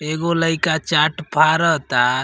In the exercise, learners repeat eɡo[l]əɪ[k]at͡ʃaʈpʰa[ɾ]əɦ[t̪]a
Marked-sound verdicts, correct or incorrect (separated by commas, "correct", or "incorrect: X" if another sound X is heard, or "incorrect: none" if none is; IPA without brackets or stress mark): correct, correct, correct, correct